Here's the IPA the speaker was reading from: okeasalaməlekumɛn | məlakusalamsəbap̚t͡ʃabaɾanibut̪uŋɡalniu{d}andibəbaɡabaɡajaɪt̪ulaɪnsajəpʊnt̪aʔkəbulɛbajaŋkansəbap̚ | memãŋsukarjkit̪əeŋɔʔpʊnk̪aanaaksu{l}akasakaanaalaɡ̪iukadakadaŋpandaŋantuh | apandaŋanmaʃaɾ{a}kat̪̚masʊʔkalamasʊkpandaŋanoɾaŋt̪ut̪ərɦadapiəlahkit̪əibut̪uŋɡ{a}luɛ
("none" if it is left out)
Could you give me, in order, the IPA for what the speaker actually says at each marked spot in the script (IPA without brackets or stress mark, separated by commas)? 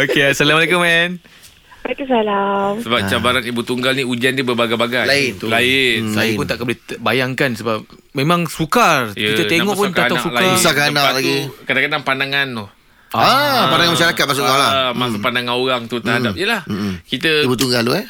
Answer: d͡ʒ, l, a, a